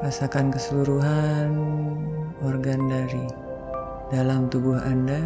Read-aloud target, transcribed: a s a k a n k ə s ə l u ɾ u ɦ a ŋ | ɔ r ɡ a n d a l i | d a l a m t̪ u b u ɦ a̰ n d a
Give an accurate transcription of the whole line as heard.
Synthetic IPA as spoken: a s a k a n k ə s ə l u ɾ u ɦ a n | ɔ r ɡ a n d a ɾ i | d a l a m t̪ u b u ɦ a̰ n d a